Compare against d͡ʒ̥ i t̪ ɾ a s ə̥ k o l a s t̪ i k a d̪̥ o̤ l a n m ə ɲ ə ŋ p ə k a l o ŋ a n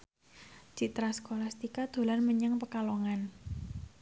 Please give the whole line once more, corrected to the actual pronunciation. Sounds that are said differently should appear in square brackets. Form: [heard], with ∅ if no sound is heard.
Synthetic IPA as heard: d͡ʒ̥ i t̪ ɾ a s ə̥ k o l a s t̪ i k a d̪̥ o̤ l a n m ə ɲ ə ŋ p ə k a l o ŋ a n